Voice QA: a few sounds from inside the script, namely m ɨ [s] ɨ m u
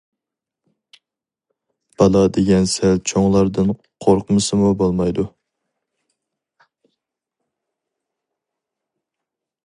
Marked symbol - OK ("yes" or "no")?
yes